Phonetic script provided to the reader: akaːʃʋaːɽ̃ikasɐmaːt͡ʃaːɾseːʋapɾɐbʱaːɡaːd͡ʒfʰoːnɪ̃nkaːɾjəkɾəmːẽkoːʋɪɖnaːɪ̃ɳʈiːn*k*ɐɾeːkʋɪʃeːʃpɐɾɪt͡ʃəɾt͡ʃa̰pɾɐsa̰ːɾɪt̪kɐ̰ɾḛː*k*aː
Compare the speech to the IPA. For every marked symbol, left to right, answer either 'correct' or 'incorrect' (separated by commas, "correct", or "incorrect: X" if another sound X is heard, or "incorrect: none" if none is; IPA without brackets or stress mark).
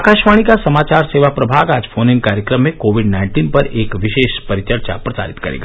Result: incorrect: p, incorrect: ɡ